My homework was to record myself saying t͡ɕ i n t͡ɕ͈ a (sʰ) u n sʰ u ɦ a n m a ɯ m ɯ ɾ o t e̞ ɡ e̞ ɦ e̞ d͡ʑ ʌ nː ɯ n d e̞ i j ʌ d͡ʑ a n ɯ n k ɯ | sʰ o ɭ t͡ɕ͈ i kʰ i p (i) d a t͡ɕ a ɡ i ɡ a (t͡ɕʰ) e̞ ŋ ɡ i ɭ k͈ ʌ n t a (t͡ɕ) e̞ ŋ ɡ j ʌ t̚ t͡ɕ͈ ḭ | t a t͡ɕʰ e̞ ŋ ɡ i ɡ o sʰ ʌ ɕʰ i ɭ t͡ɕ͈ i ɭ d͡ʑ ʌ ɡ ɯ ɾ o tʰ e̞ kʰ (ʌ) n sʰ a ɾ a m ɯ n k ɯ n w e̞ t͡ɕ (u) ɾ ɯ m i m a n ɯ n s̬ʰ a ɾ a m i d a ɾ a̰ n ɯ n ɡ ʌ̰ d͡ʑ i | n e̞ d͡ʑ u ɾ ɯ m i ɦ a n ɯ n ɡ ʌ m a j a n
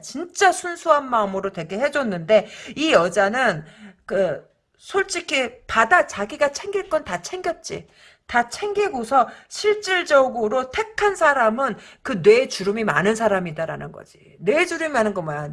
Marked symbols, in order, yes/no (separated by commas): yes, no, yes, no, no, yes